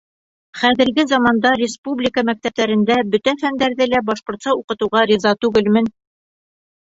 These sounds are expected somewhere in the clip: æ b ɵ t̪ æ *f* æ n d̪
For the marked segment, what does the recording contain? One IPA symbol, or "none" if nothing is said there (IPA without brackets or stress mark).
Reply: f